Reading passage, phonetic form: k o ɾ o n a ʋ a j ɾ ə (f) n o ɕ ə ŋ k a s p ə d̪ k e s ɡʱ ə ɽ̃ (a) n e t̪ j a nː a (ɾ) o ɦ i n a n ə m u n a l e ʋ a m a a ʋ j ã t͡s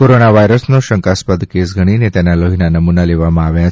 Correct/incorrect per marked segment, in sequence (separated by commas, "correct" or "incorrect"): incorrect, incorrect, incorrect